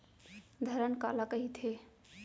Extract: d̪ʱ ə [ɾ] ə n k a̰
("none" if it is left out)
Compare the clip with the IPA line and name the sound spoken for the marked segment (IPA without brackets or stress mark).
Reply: ɾ